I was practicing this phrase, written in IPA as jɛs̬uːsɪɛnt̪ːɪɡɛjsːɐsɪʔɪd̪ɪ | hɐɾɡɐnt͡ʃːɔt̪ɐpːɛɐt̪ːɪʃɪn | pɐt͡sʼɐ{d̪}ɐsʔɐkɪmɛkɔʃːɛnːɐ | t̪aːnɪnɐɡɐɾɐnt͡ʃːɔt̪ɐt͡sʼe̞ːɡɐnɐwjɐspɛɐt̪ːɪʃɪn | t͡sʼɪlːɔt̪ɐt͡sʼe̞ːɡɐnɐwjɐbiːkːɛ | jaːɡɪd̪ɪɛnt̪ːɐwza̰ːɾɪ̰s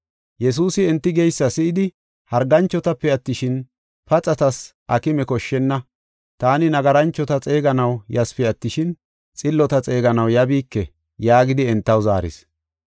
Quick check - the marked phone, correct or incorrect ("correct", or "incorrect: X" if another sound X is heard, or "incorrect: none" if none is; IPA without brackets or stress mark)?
incorrect: t̪